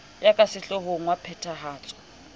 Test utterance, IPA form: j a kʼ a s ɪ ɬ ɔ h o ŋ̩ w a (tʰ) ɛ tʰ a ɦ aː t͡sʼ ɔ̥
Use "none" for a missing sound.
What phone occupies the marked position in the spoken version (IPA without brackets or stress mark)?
pʰ